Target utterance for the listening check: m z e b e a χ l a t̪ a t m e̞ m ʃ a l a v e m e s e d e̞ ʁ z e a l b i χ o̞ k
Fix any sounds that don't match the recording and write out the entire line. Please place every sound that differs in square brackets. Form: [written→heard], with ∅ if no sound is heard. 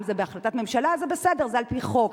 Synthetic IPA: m z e b e a χ l a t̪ a t m e̞ m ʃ a l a [v→z] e [m→b] e s e d e̞ ʁ z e a l [b→p] i χ o̞ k